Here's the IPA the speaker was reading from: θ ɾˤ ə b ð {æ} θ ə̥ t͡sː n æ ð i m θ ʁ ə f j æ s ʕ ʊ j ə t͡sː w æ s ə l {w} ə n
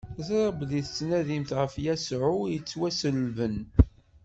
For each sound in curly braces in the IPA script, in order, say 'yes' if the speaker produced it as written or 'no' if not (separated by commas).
no, no